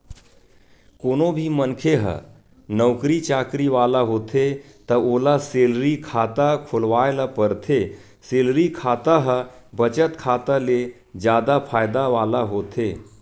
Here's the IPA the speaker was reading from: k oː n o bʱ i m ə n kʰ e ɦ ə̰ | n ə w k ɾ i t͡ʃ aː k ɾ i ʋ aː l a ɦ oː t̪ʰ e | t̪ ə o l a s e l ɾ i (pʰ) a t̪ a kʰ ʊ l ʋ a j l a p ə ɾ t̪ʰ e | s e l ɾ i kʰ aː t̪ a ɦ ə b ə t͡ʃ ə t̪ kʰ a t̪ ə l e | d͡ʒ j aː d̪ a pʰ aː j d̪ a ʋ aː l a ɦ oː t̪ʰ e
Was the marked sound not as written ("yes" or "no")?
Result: yes